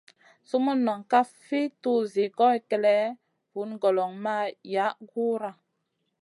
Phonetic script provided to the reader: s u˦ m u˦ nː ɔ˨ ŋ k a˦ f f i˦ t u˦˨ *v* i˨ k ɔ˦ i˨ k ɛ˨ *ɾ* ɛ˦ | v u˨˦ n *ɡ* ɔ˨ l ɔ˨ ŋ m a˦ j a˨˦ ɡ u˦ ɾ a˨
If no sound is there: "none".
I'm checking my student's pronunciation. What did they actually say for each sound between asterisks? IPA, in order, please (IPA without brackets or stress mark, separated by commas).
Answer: z, l, ɡ